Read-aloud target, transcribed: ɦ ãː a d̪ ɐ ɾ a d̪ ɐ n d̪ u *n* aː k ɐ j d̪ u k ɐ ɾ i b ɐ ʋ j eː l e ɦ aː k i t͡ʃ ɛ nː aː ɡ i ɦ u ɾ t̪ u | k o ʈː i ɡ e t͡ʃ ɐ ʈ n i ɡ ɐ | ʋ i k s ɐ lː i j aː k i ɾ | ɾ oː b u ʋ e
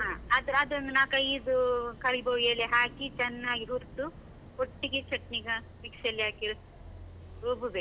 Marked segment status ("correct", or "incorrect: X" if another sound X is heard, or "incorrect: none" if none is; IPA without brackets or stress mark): correct